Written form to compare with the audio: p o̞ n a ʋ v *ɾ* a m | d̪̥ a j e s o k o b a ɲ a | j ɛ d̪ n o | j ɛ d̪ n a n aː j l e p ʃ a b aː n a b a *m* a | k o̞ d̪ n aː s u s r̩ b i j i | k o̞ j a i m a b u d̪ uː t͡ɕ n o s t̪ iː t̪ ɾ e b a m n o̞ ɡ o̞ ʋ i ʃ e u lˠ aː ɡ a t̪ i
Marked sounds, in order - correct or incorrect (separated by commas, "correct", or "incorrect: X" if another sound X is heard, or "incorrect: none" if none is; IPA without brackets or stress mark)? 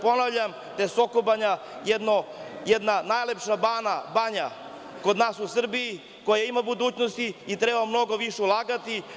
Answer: incorrect: ʎ, incorrect: ɲ